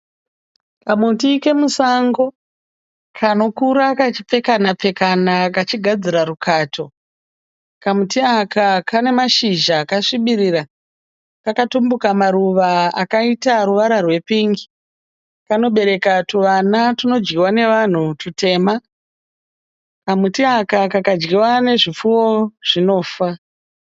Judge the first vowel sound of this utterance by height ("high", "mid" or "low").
low